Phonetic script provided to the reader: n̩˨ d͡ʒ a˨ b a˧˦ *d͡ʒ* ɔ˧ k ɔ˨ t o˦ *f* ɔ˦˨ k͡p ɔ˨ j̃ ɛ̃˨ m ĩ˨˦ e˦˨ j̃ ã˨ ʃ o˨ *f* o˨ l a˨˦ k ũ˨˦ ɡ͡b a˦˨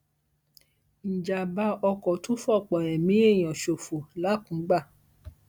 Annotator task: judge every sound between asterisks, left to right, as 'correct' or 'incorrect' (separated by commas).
incorrect, correct, correct